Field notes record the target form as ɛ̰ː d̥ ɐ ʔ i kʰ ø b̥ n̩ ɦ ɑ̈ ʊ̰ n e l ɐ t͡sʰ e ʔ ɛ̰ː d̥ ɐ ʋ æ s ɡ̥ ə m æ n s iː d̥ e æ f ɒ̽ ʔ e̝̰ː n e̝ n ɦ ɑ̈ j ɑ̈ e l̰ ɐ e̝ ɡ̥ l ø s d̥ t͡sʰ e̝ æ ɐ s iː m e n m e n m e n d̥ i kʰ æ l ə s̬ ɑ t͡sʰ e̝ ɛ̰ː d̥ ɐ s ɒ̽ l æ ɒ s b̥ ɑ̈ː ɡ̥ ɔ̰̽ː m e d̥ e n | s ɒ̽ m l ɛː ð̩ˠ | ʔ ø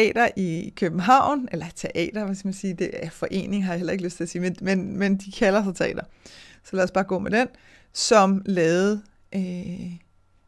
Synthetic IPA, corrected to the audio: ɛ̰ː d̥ ɐ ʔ i kʰ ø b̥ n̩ ɦ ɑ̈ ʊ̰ n e l ɐ t͡sʰ e ʔ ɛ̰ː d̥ ɐ ʋ æ s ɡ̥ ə m æ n s iː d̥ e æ f ɒ̽ ʔ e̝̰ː n e̝ ŋ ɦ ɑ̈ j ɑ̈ e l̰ ɐ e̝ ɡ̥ l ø s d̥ t͡sʰ e̝ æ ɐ s iː m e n m e n m e n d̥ i kʰ æ l ɐ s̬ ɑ t͡sʰ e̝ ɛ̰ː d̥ ɐ s ɒ̽ l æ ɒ s b̥ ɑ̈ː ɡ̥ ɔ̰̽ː m e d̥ e n | s ɒ̽ m l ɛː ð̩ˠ | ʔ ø